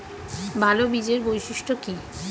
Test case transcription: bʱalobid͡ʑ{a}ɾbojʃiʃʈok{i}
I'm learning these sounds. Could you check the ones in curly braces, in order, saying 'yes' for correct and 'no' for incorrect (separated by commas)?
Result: no, yes